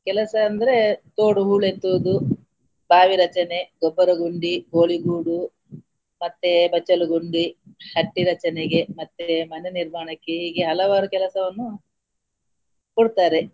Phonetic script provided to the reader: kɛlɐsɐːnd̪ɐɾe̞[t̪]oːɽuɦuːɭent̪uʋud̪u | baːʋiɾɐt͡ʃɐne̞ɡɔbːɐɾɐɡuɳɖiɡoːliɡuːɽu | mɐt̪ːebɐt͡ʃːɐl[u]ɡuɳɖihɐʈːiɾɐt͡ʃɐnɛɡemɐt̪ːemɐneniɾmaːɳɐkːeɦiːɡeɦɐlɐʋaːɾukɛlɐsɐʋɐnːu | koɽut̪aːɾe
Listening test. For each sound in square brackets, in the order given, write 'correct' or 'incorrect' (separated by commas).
correct, correct